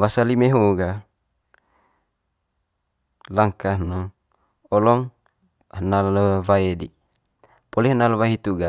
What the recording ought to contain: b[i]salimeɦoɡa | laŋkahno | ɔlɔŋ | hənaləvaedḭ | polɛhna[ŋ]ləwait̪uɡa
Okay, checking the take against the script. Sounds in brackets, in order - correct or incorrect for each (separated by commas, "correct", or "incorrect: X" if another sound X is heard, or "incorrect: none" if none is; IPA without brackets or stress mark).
incorrect: a, incorrect: none